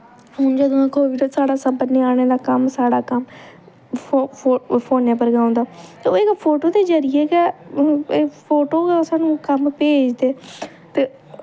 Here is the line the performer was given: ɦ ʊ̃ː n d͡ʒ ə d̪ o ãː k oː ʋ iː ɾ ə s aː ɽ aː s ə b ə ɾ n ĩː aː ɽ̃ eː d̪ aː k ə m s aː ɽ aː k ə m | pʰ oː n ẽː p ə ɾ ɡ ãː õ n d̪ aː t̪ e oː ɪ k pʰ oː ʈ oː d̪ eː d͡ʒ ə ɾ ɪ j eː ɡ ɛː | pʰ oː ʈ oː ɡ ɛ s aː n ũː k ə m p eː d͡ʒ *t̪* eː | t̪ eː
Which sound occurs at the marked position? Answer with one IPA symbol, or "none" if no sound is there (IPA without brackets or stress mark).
d̪